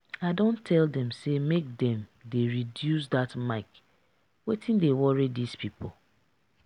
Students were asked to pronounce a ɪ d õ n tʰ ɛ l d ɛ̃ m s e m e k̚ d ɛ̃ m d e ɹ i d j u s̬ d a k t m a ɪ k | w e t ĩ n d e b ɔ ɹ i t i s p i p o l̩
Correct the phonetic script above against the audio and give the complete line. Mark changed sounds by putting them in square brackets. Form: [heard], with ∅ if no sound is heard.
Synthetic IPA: a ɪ d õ n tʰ ɛ l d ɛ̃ m s e m e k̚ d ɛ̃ m d e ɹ i d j u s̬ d a [∅] t m a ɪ k | w e t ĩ n d e [w] ɔ ɹ i [d] i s p i p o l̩